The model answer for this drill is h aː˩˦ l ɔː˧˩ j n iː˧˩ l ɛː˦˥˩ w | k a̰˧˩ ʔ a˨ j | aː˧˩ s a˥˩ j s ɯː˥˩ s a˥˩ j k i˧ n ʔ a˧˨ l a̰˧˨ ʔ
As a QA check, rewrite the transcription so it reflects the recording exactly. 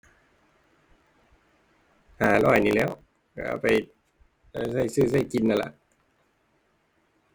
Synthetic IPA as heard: h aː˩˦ l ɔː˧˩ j n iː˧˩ l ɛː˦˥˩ w | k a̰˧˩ p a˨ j | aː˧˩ s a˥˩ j s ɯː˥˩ s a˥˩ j k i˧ n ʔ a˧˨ l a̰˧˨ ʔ